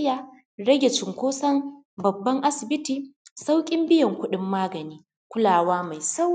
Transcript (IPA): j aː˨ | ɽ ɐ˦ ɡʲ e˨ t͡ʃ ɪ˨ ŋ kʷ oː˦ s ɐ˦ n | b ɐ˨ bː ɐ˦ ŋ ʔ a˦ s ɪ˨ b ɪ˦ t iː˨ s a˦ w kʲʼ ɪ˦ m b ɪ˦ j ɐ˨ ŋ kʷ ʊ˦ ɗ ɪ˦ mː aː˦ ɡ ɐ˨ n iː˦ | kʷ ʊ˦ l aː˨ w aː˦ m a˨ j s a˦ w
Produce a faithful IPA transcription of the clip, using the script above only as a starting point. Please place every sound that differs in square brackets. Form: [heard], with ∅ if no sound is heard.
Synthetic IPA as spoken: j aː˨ | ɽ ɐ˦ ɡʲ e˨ t͡ʃ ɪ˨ ŋ kʷ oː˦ s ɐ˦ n | b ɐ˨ bː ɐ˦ ŋ ʔ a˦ s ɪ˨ b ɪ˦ t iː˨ s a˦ w kʲʼ ɪ˦ m b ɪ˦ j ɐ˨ ŋ kʷ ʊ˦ ɗ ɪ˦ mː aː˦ ɡ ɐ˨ n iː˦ | kʷ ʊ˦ l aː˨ w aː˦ m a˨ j s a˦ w